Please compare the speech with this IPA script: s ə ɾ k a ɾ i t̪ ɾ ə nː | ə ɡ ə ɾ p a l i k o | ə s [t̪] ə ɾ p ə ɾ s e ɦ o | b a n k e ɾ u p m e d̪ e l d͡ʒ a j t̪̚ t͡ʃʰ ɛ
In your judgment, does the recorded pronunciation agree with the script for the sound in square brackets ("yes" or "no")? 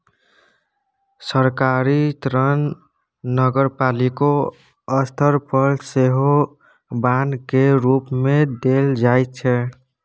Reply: no